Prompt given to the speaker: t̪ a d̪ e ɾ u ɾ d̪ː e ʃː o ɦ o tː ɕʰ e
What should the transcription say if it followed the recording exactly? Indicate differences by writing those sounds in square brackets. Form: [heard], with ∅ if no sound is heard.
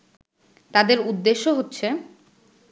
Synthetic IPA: t̪ a d̪ e ɾ u [∅] d̪ː e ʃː o ɦ o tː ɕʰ e

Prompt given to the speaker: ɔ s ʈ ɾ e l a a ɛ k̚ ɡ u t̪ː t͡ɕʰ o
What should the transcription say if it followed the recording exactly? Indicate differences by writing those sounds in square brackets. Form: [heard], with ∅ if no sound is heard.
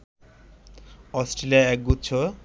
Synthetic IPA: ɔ s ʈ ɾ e l [i] a ɛ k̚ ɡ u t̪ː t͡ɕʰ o

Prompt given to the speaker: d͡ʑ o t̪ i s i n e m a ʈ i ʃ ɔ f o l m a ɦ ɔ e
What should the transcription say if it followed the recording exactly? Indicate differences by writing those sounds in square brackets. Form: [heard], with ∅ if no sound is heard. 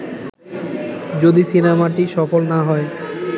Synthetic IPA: d͡ʑ o [d̪] i s i n e m a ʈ i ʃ ɔ f o l [n] a ɦ ɔ e

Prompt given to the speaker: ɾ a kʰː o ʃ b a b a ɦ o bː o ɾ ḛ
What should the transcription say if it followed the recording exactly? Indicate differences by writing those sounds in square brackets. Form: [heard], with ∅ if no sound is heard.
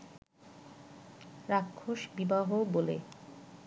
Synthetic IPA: ɾ a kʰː o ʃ b [i] b a ɦ o [b] o [l] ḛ

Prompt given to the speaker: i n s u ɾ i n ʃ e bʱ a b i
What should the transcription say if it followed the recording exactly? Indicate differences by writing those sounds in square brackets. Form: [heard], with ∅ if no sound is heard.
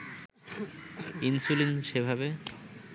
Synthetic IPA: i n s u [l] i n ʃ e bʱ a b [e]

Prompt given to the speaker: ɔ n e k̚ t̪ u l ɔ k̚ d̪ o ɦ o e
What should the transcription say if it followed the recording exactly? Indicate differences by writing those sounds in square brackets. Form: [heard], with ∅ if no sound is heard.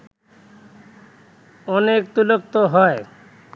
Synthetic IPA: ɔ n e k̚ t̪ u l [o] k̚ [t̪] o ɦ [ɔ] e

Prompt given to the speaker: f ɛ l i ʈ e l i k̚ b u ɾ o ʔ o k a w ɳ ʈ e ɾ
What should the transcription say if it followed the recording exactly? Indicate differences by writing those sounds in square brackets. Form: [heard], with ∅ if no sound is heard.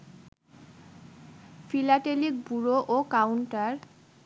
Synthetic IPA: f [i] l [a] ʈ e l i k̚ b u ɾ o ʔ o k a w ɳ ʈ [a] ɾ

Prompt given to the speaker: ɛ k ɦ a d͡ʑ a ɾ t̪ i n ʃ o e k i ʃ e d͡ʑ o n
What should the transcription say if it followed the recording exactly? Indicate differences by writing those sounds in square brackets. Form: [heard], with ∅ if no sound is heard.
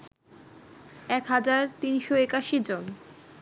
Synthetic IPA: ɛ k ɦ a d͡ʑ a ɾ t̪ i n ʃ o e k [a] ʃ [i] d͡ʑ o n

